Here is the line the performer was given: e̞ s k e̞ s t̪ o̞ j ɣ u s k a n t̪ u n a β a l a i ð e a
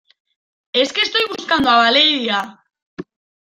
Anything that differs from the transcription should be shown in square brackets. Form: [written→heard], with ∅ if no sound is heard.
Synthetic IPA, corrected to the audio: e̞ s k e̞ s t̪ o̞ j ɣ u s k a n [t̪→d̪] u [n→∅] a β a l [a→e] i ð [e→i] a